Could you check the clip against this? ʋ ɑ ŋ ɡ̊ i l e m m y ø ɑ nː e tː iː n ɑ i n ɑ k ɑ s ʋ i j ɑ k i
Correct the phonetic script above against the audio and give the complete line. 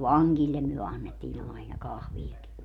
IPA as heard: ʋ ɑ ŋ ɡ̊ i lː e m m y ø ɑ nː e tː iː n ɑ i n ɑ k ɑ h ʋ i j ɑ k i